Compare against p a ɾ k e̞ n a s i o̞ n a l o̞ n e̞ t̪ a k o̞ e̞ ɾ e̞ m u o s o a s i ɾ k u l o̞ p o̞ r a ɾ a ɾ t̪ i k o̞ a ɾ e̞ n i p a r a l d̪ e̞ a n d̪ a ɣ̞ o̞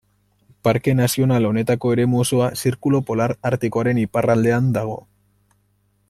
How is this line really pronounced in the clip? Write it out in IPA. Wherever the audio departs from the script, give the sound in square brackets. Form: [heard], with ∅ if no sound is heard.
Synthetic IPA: p a ɾ k e̞ n a s i o̞ n a l o̞ n e̞ t̪ a k o̞ e̞ ɾ e̞ m u o s o a s i ɾ k u l o̞ p o̞ [l] a ɾ a ɾ t̪ i k o̞ a ɾ e̞ n i p a r a l d̪ e̞ a n d̪ a ɣ̞ o̞